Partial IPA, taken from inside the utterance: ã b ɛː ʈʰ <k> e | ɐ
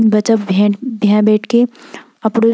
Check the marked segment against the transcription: correct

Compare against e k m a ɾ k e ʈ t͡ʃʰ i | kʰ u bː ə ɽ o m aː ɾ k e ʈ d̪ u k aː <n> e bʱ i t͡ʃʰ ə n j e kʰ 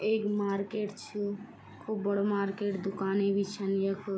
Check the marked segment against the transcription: correct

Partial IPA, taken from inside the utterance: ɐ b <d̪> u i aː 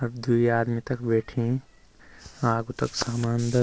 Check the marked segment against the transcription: correct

